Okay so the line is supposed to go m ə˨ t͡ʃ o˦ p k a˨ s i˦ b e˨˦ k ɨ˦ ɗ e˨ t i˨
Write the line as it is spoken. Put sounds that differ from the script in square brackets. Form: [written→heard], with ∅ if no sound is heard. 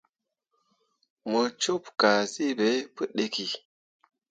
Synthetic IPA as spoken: m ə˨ t͡ʃ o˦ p k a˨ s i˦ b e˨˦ [k→p] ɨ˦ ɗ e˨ [t→k] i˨